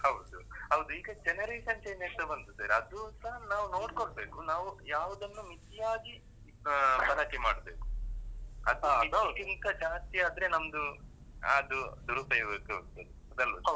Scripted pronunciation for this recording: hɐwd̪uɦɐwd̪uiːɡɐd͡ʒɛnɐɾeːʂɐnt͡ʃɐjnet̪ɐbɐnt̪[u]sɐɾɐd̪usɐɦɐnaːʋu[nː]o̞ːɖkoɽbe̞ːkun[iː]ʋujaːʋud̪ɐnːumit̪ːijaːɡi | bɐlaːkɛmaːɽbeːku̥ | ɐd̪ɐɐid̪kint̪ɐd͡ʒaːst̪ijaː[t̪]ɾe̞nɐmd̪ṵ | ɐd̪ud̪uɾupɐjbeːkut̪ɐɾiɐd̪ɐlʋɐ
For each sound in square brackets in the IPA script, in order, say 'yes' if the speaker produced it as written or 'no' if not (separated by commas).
yes, no, no, no